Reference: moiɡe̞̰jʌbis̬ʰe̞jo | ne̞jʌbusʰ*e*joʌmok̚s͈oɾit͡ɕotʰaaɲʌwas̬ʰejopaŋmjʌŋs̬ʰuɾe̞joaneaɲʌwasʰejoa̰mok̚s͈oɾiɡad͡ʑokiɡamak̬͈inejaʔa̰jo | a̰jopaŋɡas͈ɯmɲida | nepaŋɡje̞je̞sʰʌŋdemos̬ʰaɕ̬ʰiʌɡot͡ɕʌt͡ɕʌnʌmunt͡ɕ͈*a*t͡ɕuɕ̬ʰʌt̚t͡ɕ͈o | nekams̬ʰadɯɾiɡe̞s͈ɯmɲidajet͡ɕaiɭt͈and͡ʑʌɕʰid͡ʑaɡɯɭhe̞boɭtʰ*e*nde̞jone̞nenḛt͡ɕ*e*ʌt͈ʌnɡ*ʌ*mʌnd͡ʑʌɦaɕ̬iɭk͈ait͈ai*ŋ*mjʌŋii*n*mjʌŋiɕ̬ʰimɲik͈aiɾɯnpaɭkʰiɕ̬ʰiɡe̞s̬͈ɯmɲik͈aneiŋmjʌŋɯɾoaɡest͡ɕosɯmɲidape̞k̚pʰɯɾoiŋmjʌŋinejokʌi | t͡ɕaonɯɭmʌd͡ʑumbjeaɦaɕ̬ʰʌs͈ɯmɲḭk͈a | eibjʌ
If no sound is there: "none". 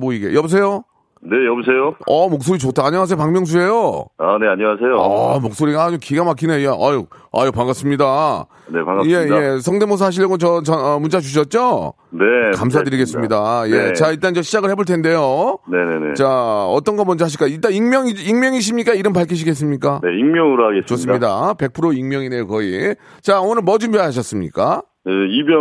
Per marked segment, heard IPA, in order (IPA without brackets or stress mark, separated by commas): e, a, e, a, ʌ, ŋ, ŋ